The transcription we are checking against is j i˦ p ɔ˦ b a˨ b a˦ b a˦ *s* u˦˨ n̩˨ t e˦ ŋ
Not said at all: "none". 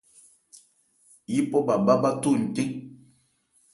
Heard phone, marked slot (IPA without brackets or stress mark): t